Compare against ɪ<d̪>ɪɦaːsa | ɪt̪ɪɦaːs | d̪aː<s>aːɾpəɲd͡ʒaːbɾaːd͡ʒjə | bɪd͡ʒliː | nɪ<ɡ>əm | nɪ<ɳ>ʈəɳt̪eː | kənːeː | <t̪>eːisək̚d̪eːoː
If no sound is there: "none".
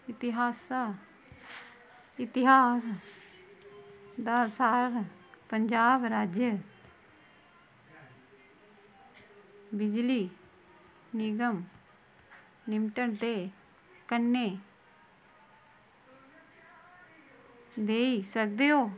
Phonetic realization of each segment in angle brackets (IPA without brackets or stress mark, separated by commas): t̪, s, ɡ, m, d̪